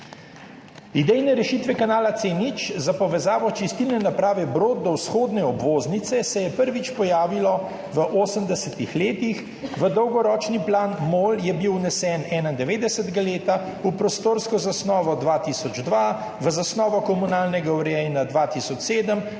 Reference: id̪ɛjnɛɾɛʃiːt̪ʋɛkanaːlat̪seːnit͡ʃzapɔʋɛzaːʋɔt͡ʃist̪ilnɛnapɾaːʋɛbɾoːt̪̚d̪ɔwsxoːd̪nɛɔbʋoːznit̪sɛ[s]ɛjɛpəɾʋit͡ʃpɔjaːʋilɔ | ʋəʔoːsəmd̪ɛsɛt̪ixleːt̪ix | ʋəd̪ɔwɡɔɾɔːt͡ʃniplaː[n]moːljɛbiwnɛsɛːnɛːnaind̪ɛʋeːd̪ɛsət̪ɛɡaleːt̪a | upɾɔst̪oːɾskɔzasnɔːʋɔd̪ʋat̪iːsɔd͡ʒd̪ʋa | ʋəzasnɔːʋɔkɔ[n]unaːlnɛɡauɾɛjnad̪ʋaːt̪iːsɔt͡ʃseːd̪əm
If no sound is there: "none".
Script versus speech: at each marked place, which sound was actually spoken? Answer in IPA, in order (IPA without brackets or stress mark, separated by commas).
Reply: s, n, m